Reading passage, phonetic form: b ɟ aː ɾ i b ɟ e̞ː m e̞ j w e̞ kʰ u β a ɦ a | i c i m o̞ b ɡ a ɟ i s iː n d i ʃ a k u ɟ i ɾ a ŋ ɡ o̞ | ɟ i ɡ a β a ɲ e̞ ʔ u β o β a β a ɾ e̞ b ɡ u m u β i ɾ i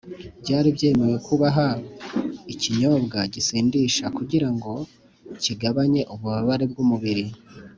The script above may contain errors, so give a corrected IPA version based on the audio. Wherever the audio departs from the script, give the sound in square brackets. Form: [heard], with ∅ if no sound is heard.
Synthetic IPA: b ɟ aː ɾ i b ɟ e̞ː m e̞ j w e̞ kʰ u β a ɦ a | i c i [ɲ] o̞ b ɡ a ɟ i s iː n d i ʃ a k u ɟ i ɾ a ŋ ɡ o̞ | [c] i ɡ a β a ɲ e̞ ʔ u β [u] β a β a ɾ e̞ b ɡ u m u β i ɾ i